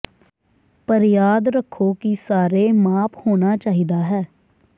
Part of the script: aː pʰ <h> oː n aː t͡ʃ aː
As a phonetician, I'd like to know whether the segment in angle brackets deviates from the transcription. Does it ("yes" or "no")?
no